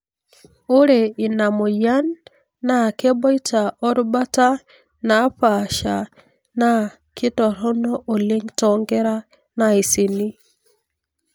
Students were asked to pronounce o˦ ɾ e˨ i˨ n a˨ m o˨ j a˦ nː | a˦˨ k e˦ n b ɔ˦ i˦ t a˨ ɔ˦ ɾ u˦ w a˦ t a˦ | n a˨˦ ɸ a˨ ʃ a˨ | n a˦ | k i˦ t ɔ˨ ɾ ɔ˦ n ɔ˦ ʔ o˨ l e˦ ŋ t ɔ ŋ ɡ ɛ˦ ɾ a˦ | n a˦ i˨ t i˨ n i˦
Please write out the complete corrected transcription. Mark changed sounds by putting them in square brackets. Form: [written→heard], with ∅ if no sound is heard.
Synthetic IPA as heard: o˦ ɾ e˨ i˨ n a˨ m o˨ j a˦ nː | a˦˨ k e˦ [n→∅] b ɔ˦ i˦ t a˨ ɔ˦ ɾ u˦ [w→b] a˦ t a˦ | n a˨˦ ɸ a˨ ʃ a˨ | n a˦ | k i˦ t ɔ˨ ɾ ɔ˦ n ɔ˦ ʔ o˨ l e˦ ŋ t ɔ ŋ ɡ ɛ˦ ɾ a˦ | n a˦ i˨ [t→s] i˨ n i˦